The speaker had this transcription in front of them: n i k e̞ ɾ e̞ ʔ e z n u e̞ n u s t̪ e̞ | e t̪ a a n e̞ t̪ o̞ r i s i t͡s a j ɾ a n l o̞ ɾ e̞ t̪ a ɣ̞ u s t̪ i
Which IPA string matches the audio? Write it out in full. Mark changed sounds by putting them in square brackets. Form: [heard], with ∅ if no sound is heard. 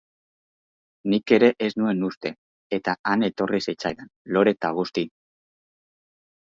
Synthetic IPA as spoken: n i k e̞ ɾ e̞ ʔ e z n u e̞ n u s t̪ e̞ | e t̪ a a n e̞ t̪ o̞ r i s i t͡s a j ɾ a n l o̞ ɾ e̞ t̪ a ɣ̞ u s t̪ i